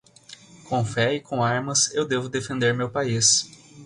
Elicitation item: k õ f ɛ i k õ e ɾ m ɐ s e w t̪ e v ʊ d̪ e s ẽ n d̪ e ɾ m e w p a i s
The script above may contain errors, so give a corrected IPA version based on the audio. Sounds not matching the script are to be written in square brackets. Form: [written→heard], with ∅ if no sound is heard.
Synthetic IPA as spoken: k õ f ɛ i k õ [e→a] ɾ m ɐ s e w [t̪→d̪] e v ʊ d̪ e [s→f] ẽ n d̪ e ɾ m e w p a i s